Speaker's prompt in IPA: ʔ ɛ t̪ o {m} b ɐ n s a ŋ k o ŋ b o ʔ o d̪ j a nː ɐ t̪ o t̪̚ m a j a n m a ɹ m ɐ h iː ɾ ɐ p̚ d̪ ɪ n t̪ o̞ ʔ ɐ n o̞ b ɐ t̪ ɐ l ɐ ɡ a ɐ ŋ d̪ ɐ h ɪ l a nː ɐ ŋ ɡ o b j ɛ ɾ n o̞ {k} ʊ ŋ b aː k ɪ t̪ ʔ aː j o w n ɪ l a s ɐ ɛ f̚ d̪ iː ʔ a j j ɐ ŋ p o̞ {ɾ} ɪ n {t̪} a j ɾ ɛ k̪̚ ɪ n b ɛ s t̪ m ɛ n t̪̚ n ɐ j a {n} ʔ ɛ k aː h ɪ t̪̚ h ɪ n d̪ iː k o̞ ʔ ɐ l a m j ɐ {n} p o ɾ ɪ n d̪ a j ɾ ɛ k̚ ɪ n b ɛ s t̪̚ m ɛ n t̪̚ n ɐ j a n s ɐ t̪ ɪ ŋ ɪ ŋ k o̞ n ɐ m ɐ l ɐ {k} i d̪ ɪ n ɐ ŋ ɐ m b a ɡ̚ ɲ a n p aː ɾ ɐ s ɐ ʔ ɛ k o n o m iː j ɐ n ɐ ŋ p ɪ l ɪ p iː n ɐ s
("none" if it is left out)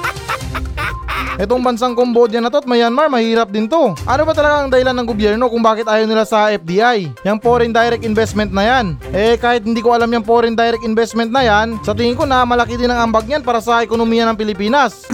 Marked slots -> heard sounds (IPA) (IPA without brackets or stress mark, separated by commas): ŋ, k, ɾ, d̪, n, ŋ, k